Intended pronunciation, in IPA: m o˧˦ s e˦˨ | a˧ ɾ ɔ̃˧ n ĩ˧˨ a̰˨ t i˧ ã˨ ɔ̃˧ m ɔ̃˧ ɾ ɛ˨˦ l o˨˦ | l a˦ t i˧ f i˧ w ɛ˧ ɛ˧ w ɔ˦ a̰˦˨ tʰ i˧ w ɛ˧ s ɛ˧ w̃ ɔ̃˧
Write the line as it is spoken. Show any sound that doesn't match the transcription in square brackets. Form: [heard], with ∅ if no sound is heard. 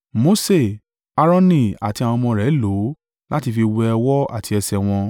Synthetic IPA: m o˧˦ s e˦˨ | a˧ ɾ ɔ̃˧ n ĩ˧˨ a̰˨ t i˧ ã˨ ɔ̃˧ m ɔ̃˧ ɾ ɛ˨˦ l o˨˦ | l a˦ t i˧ f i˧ w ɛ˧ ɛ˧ w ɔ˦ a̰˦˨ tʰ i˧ [∅] ɛ˧ s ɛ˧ w̃ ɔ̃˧